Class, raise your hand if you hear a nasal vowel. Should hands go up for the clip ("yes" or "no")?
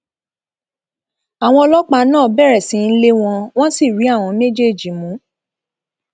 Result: yes